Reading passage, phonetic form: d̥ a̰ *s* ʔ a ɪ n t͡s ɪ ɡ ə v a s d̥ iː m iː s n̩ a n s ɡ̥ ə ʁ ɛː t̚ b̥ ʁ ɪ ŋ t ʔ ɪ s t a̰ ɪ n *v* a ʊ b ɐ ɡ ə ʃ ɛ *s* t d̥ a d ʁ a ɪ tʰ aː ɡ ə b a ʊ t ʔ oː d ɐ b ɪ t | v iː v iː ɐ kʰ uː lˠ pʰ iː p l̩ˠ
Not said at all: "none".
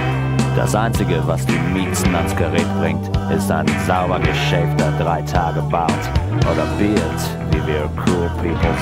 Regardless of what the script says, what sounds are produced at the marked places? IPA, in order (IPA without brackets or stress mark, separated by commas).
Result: s, z, f